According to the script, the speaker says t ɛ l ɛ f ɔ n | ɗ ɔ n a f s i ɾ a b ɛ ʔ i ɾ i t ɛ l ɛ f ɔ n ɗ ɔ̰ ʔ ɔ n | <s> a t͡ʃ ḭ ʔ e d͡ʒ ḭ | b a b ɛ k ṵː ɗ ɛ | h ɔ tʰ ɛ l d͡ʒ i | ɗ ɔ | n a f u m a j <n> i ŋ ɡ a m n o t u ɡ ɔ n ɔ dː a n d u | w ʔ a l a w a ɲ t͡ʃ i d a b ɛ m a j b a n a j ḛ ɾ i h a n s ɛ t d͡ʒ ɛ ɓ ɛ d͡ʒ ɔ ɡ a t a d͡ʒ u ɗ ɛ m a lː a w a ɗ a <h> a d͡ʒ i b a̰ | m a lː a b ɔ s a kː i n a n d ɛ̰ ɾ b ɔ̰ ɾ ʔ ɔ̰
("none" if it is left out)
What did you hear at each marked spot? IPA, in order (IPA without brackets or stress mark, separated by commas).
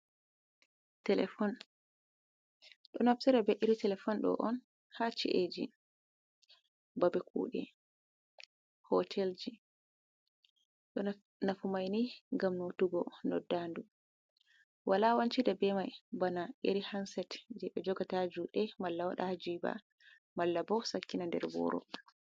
h, n, h